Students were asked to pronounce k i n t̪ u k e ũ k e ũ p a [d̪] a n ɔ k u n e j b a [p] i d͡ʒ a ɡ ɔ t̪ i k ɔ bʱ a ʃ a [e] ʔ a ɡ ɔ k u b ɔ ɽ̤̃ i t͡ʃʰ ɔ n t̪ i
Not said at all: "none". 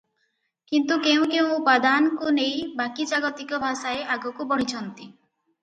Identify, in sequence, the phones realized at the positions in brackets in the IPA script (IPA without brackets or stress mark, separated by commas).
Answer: d̪, k, e